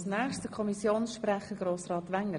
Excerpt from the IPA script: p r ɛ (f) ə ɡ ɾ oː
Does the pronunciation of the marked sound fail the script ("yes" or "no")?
yes